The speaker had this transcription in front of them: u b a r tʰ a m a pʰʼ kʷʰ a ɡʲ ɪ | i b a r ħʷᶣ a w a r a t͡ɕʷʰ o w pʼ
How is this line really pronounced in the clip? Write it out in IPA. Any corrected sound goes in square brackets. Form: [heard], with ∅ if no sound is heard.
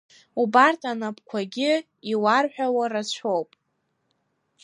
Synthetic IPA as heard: u b a r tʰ a [n] a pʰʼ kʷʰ a ɡʲ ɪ | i [w] a r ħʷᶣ a w a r a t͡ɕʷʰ o w pʼ